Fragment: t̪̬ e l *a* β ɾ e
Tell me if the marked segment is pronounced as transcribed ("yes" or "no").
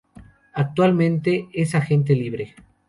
no